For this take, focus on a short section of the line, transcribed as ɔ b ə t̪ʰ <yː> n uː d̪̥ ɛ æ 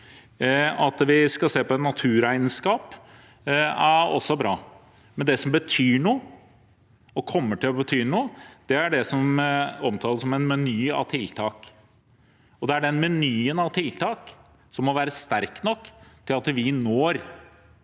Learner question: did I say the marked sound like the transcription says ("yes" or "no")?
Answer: yes